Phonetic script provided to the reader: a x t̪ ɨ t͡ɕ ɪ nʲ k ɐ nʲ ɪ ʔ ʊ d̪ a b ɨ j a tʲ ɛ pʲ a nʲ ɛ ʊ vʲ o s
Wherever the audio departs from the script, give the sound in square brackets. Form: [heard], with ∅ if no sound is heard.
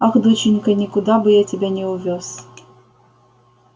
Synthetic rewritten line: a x [d̪] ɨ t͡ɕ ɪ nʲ k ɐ nʲ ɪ [k] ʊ d̪ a b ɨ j a tʲ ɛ [bʲ] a nʲ ɛ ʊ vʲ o s